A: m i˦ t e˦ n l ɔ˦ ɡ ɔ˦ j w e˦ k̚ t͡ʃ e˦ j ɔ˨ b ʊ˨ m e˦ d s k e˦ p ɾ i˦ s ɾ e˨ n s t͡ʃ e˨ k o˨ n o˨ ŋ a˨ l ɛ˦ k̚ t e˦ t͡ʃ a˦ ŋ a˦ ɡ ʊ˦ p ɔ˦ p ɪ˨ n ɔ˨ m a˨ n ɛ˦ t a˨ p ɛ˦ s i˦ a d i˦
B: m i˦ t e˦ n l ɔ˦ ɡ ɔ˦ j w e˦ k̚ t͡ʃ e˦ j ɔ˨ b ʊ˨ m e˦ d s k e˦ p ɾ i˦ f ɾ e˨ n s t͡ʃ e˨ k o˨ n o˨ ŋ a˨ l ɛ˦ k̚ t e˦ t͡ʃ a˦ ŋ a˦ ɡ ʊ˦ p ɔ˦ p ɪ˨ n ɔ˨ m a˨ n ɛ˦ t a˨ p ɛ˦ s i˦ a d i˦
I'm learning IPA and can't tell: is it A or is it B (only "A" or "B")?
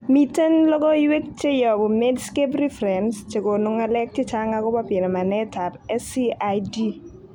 B